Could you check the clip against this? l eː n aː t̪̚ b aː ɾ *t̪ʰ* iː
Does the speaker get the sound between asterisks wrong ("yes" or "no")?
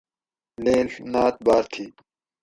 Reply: no